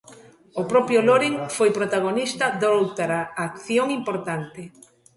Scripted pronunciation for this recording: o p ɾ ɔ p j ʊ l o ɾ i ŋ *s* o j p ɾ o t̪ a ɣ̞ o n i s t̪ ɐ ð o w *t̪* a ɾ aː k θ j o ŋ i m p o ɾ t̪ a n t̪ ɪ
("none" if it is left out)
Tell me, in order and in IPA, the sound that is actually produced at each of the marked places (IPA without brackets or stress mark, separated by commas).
f, t̪